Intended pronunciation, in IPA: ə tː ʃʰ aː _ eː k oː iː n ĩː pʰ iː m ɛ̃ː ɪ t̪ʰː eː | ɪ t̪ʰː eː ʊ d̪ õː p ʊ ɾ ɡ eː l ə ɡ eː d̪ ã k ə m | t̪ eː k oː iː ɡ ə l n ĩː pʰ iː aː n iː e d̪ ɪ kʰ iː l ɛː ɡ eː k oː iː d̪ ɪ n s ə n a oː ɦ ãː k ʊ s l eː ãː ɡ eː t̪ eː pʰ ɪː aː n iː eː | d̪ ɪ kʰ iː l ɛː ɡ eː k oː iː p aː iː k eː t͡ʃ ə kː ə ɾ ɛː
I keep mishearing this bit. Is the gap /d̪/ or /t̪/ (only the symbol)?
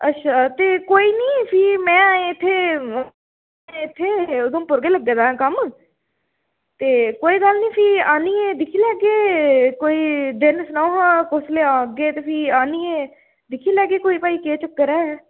t̪